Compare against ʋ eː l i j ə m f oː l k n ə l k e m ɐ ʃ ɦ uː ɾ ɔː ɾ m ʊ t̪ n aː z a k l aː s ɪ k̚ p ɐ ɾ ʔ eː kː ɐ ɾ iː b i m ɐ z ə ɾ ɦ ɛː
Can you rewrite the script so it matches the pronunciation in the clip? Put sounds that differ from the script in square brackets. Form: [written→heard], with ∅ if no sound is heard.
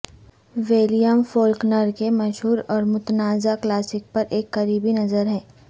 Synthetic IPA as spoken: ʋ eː l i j ə m f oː l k n ə [l→ɾ] k e m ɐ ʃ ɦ uː ɾ ɔː ɾ m ʊ t̪ n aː z a k l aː s ɪ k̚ p ɐ ɾ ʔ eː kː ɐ ɾ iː b i [m→n] ɐ z ə ɾ ɦ ɛː